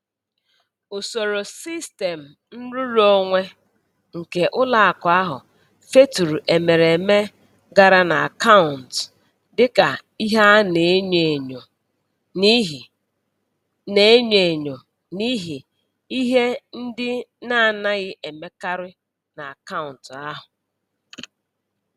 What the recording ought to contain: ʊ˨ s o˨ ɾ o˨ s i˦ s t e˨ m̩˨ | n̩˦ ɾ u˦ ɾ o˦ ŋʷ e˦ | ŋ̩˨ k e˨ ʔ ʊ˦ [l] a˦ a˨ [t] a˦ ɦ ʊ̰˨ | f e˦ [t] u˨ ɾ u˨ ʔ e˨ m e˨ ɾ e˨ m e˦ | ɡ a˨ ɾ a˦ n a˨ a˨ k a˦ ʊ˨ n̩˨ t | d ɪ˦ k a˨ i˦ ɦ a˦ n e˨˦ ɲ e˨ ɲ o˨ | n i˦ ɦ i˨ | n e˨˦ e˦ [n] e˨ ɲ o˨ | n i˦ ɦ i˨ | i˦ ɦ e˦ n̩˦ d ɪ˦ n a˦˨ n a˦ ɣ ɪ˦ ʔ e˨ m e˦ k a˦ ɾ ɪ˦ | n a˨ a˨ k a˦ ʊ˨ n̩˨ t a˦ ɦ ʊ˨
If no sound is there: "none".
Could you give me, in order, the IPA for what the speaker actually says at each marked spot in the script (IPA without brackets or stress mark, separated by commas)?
l, k, t, ɲ